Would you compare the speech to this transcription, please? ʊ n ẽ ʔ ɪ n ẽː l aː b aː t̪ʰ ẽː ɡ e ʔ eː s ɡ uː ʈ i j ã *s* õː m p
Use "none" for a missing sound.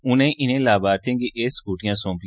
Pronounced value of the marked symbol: s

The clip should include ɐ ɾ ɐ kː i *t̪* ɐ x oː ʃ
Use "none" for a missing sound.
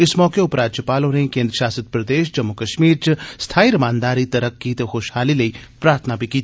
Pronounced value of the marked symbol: t̪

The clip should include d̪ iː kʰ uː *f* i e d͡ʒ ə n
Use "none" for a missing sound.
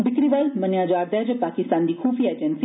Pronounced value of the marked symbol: f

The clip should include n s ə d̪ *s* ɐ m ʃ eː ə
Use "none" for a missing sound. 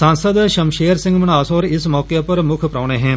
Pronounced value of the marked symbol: ʃ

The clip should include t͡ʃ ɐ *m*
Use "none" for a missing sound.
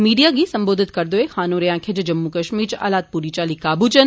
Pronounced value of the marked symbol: n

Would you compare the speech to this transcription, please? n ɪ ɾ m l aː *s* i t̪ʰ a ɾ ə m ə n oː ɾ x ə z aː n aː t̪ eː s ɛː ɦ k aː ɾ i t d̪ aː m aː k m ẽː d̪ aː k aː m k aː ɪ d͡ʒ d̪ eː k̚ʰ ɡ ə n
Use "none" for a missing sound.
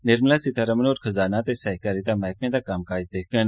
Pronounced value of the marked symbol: s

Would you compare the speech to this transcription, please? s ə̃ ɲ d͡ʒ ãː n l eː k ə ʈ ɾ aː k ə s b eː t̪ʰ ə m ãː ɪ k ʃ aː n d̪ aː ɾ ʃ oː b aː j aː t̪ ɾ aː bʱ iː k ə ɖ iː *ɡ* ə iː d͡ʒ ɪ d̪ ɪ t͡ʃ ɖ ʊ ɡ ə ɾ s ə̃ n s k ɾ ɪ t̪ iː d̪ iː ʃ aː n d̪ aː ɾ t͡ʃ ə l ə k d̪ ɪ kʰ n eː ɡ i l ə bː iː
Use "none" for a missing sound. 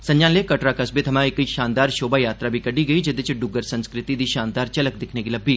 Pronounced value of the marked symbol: ɡ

